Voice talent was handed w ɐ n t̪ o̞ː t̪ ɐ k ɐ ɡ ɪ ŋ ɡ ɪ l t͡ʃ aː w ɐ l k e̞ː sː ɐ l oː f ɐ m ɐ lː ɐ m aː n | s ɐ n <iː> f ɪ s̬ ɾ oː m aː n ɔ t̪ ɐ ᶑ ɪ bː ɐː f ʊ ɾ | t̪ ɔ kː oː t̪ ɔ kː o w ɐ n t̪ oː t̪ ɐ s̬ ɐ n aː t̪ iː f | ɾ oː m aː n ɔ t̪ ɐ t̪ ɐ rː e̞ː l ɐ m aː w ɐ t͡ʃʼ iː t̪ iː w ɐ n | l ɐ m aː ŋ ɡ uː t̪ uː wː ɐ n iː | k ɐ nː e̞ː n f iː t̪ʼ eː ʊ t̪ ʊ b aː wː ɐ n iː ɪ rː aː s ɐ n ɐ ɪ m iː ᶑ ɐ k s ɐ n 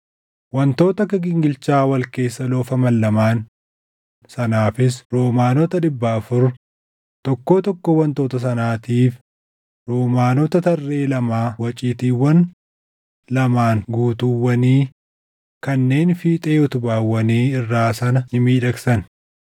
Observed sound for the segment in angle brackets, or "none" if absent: aː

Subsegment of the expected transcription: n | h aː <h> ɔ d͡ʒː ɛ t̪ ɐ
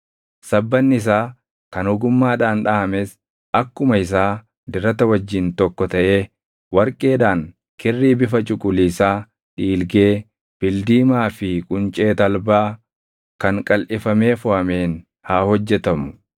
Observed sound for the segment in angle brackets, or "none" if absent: h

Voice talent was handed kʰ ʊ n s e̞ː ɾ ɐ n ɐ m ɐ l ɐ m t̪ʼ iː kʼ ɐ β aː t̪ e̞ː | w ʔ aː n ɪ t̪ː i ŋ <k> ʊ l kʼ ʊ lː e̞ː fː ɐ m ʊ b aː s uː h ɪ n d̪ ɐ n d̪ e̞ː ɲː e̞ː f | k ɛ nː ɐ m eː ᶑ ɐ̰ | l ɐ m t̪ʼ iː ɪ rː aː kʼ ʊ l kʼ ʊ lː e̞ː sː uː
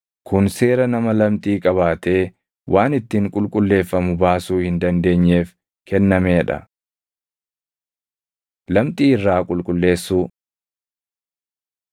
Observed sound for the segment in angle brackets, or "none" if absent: kʼ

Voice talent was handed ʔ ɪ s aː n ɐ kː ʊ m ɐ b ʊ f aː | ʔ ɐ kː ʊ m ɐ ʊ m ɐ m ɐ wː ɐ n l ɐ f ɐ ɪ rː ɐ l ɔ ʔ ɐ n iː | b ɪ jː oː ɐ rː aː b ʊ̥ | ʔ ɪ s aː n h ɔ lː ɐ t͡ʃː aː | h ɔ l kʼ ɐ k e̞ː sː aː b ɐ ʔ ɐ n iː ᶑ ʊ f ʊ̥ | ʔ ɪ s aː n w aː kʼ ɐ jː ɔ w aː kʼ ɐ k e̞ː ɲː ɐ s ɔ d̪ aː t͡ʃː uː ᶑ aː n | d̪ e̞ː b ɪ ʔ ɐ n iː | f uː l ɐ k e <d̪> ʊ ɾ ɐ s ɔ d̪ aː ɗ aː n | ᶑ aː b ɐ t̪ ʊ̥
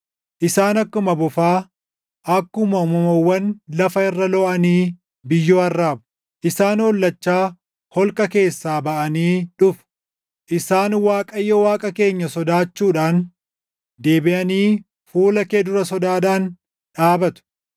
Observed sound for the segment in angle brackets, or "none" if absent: d̪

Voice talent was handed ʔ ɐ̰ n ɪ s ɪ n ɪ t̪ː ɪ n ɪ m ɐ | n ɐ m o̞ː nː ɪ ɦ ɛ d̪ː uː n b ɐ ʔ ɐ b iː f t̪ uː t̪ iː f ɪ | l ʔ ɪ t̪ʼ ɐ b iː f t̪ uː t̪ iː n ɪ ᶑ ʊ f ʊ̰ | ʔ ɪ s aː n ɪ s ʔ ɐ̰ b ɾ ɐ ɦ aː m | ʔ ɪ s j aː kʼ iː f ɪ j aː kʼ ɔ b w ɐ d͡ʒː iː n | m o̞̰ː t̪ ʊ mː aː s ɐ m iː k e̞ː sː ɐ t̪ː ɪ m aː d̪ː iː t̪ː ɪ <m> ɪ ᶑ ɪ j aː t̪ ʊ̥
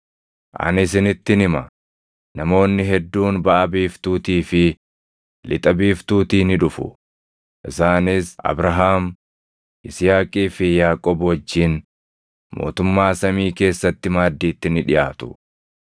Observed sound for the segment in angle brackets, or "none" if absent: n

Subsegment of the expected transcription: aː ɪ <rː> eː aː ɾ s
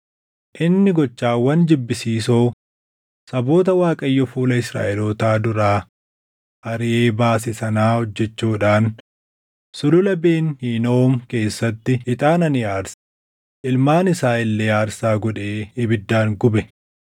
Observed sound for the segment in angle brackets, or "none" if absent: lː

